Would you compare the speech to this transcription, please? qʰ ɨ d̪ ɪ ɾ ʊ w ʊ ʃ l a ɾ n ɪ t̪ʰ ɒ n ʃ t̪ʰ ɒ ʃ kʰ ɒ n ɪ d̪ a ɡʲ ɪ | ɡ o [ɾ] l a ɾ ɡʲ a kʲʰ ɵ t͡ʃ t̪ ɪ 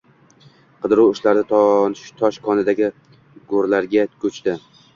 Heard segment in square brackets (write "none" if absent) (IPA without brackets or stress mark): ɾ